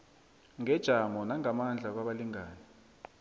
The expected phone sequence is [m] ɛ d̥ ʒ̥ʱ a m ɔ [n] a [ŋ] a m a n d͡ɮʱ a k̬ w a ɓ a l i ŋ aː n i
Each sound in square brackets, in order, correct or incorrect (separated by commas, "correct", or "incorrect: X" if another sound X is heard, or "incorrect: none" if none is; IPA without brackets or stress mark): incorrect: ŋ, correct, correct